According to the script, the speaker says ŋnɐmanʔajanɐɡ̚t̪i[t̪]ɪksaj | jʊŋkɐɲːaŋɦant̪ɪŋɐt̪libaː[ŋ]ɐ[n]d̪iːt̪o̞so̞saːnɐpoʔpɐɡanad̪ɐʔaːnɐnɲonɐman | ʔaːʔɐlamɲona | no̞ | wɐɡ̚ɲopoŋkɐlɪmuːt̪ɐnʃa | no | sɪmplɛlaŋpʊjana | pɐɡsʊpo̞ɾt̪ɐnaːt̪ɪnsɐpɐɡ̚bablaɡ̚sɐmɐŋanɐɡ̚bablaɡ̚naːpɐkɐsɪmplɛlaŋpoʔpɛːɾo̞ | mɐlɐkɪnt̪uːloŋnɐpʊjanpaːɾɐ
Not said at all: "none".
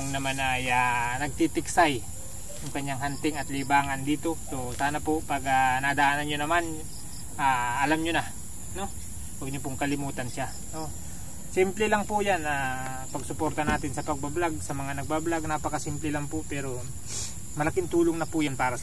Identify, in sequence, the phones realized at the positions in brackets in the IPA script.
t̪, ŋ, n

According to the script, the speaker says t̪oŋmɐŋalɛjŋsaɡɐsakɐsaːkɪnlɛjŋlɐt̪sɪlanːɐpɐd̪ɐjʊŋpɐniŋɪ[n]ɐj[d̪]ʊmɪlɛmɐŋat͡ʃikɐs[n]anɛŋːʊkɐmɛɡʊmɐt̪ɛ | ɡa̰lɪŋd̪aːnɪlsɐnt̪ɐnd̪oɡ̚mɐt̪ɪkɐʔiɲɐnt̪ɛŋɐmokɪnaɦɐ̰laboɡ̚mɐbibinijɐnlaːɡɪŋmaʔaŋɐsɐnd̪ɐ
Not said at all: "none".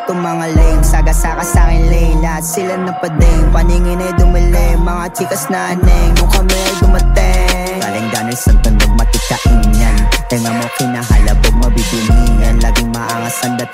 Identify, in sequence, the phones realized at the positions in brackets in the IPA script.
n, d̪, n

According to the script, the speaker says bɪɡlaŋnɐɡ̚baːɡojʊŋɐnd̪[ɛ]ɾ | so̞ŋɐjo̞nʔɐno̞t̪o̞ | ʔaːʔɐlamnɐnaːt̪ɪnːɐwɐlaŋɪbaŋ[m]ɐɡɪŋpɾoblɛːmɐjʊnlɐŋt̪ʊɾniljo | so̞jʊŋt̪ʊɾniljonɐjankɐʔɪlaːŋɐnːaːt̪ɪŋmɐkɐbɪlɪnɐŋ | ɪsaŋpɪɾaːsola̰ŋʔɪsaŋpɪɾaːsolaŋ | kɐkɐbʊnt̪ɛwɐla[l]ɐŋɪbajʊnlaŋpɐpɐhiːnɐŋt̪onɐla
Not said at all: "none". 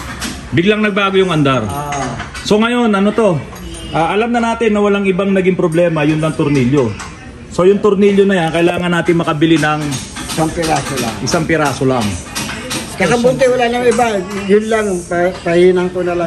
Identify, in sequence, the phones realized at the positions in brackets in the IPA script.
a, n, l

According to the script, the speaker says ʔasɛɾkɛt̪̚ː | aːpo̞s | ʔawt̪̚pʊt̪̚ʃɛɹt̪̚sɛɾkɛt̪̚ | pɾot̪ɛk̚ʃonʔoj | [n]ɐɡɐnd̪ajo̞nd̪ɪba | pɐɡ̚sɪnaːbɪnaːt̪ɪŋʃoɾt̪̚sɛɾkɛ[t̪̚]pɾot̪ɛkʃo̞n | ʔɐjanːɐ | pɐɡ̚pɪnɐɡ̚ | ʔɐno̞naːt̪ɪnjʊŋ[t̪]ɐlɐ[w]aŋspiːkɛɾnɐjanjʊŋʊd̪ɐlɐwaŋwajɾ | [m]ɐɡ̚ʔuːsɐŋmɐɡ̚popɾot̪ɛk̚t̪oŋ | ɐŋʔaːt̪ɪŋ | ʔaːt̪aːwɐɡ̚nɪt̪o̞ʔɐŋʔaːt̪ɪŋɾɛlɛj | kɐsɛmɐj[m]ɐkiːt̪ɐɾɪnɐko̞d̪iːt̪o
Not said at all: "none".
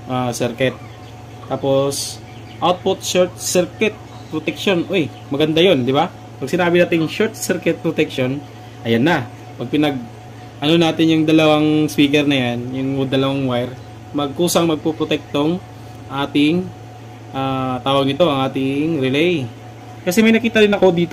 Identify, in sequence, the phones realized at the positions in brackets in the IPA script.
m, t̪̚, d̪, w, m, n

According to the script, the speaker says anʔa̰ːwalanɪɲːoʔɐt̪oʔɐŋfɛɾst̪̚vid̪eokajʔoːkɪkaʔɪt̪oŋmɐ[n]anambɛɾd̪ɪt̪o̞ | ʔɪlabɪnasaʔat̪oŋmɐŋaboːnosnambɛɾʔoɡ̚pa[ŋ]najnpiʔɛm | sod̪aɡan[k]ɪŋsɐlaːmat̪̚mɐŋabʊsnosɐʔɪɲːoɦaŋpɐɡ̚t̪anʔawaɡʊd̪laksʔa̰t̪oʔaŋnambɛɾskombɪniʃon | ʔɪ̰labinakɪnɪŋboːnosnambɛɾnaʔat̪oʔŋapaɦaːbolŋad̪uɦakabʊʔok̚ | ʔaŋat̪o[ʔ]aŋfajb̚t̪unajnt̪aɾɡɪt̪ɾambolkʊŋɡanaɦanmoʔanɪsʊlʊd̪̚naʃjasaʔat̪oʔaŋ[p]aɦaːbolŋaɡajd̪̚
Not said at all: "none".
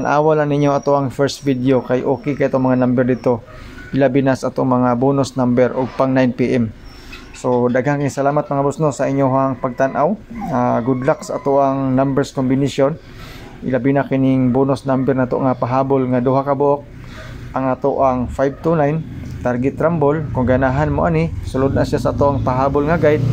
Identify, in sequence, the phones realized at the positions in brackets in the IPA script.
ŋ, ŋ, k, ʔ, p

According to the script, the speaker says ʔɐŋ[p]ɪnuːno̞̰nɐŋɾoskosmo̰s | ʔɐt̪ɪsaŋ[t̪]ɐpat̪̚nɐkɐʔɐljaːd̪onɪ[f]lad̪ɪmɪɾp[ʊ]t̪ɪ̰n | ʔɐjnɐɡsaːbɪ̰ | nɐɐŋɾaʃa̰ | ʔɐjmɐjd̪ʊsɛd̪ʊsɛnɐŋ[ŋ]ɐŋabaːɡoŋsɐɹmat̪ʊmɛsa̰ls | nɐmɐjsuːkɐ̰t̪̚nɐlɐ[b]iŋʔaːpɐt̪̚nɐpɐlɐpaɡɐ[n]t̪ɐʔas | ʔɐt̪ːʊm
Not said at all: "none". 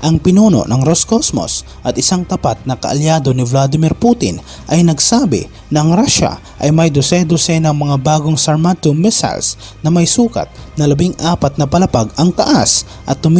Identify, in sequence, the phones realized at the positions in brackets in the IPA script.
p, t̪, v, u, m, b, ŋ

